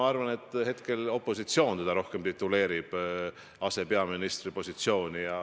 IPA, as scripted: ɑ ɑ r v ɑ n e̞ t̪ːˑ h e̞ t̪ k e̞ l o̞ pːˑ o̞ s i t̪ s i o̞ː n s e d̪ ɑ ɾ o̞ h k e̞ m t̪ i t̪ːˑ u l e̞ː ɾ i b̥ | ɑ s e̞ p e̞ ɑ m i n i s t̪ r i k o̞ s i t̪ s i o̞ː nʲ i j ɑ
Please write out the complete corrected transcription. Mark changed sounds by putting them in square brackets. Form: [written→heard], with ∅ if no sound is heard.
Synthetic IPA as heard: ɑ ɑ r v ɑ n e̞ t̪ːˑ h e̞ t̪ k e̞ l o̞ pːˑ o̞ s i t̪ s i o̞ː n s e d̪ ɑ ɾ o̞ h k e̞ m t̪ i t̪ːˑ u l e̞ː ɾ i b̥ | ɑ s e̞ p e̞ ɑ m i n i s t̪ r i [k→p] o̞ s i t̪ s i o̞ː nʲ i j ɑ